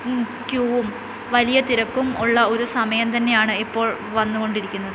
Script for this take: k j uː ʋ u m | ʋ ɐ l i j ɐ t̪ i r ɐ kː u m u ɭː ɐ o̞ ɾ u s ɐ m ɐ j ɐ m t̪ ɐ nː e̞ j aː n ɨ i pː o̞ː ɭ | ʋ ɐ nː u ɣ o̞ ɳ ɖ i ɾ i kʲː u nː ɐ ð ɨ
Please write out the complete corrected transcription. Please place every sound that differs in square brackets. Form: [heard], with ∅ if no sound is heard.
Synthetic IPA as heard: k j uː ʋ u m | ʋ ɐ l i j ɐ t̪ i [ɾ] ɐ kː u m u ɭː ɐ o̞ ɾ u s ɐ m ɐ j ɐ m t̪ ɐ nː e̞ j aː [ɳ] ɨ i pː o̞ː ɭ | ʋ ɐ nː u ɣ o̞ ɳ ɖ i ɾ i kʲː u nː ɐ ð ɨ